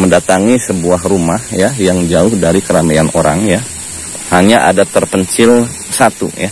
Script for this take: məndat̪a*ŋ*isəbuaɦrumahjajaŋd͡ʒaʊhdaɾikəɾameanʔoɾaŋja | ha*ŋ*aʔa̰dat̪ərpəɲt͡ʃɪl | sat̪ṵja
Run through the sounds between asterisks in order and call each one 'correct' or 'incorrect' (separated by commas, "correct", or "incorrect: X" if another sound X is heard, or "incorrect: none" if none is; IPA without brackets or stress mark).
correct, incorrect: ɲ